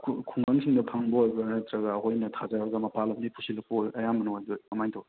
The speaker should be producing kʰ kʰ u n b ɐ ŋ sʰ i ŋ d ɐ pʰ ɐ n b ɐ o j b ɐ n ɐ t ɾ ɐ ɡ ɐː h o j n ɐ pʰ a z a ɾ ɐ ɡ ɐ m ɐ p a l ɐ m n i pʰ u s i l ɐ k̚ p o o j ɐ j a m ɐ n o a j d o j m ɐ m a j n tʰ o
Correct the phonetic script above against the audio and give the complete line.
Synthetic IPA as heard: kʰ kʰ u ŋ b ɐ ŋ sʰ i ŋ d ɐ pʰ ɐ ŋ b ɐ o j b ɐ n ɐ t ɾ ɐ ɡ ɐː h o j n ɐ tʰ a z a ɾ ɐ ɡ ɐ m ɐ p a l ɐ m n i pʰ u s i l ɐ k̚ p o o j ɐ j a m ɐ n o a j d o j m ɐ m a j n tʰ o